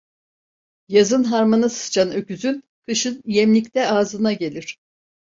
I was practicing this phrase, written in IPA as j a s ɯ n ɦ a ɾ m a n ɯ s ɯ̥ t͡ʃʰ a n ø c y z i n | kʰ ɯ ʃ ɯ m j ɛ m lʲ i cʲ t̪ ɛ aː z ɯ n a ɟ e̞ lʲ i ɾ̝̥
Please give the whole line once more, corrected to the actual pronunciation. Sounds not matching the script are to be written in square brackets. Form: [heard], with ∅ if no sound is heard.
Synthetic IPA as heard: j a [z] ɯ n ɦ a ɾ m a n ɯ s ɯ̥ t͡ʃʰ a n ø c y z [y] n | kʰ ɯ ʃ ɯ [n] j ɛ m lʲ i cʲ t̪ ɛ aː z ɯ n a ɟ e̞ lʲ i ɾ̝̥